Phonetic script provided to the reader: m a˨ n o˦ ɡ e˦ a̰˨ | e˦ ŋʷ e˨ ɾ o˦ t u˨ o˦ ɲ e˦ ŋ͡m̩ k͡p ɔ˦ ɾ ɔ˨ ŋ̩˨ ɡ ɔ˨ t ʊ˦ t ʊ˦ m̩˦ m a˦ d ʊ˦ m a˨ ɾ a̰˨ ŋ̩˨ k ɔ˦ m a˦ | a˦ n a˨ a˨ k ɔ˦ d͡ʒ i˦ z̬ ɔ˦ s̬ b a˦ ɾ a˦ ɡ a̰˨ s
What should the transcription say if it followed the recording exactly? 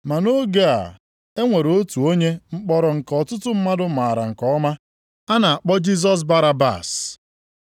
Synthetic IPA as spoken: m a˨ n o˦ ɡ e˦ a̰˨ | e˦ ŋʷ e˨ ɾ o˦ t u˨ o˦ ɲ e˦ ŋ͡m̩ k͡p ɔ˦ ɾ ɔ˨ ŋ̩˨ k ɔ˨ t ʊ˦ t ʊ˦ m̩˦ m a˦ d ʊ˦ m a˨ ɾ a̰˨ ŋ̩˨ k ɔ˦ m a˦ | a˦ n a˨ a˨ k͡p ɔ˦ d͡ʒ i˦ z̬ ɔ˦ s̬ b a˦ ɾ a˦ b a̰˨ s

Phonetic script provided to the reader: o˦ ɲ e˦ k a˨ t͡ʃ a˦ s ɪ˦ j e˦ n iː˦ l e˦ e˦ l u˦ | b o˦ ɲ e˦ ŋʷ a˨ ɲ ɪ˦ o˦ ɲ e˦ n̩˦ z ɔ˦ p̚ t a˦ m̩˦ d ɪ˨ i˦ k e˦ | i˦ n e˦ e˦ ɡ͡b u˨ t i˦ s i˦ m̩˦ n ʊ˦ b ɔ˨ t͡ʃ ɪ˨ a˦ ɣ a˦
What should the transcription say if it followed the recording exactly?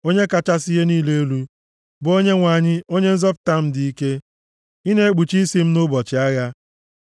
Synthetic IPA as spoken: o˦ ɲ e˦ k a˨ t͡ʃ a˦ s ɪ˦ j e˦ n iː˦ l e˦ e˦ l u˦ | b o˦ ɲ e˦ ŋʷ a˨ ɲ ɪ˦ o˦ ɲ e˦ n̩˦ z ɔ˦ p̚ t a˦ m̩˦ d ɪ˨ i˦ k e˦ | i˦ n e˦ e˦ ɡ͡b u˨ t͡ʃ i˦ s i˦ m̩˦ n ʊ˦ b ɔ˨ t͡ʃ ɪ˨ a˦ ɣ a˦

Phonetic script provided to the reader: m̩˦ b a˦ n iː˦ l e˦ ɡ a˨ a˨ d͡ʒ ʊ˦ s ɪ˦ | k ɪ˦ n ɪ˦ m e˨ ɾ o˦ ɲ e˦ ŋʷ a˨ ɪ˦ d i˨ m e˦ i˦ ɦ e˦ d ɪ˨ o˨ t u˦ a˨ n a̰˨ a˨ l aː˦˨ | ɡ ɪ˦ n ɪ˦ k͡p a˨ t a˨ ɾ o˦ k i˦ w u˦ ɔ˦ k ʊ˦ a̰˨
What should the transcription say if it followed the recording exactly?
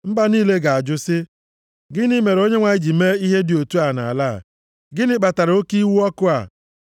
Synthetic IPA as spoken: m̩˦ b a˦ n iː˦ l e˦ ɡ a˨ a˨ d͡ʒ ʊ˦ s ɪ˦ | ɡ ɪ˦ n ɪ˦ m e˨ ɾ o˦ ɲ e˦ ŋʷ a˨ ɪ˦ d͡ʒ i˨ m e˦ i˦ ɦ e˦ d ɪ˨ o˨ t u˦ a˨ n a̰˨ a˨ l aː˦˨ | ɡ ɪ˦ n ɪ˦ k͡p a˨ t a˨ ɾ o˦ k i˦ w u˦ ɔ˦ k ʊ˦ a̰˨

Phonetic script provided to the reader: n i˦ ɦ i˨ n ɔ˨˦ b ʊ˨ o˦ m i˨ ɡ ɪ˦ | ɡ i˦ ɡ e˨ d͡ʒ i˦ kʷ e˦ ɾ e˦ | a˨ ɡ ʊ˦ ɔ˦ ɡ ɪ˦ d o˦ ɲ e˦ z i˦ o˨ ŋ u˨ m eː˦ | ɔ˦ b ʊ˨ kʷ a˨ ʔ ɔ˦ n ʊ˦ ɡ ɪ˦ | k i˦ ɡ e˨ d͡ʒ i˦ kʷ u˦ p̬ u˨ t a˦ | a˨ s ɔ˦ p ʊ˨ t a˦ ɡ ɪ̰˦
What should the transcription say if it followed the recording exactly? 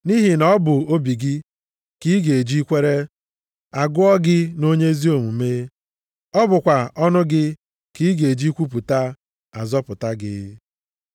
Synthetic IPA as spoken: n i˦ ɦ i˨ n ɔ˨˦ b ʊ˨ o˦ b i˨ ɡ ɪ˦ | k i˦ ɡ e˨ d͡ʒ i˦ kʷ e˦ ɾ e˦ | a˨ ɡ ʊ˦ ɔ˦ ɡ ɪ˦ n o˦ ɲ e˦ z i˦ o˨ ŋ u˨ m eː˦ | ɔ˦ b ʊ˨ kʷ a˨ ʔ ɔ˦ n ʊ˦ ɡ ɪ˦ | k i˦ ɡ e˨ d͡ʒ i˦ kʷ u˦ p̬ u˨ t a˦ | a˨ z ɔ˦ p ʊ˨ t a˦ ɡ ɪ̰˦

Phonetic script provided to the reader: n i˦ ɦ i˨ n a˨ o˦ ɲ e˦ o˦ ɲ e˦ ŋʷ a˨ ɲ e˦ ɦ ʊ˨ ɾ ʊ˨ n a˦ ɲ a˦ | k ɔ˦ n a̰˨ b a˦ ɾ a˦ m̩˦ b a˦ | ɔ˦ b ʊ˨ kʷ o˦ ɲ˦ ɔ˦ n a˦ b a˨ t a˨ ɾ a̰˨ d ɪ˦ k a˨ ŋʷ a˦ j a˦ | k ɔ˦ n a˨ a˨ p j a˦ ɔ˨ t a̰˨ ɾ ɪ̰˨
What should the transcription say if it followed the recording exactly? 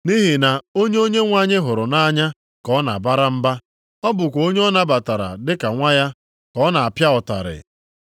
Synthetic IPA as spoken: n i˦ ɦ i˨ n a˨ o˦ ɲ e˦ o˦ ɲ e˦ ŋʷ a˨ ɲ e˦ ɦ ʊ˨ ɾ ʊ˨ n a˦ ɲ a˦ | k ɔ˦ n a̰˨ b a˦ ɾ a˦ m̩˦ b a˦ | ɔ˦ b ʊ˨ kʷ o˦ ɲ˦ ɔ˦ n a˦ b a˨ t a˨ ɾ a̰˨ d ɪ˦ k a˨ ŋʷ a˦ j a˦ | k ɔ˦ n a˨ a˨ p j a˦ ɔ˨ t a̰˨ ɾ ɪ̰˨

